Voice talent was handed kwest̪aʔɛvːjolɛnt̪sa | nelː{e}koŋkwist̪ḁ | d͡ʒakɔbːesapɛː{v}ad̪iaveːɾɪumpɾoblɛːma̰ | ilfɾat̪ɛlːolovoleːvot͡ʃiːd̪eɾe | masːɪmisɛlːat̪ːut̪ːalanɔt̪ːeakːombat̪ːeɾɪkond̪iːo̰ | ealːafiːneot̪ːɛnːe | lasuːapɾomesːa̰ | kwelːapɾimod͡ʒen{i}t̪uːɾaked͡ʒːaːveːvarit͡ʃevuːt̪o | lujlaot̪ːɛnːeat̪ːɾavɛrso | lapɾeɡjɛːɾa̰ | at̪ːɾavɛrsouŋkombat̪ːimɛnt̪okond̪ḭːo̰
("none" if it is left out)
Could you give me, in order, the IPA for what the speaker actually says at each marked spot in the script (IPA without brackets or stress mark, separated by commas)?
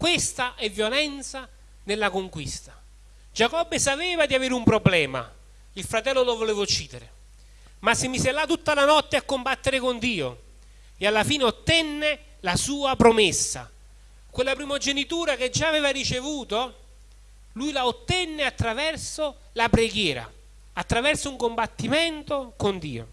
a, v, i